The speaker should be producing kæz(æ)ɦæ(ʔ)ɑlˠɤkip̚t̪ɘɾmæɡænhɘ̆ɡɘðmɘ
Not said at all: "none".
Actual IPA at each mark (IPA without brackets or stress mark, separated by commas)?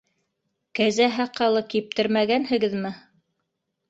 æ, q